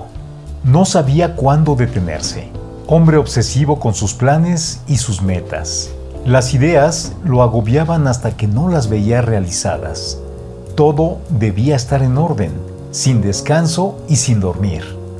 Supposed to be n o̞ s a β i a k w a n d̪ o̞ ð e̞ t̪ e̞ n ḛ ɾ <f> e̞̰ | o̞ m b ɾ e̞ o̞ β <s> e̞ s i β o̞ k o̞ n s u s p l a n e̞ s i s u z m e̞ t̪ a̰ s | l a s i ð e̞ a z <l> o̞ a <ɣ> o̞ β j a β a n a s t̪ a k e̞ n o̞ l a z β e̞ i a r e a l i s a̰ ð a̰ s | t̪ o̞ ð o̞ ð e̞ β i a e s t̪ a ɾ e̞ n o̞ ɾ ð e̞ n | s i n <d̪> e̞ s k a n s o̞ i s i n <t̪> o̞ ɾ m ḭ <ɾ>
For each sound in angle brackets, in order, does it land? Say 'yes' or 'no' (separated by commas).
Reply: no, yes, yes, yes, yes, no, yes